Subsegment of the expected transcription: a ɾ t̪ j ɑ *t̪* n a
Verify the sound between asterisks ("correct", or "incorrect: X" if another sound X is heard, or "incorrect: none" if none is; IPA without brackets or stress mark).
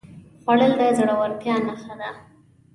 incorrect: none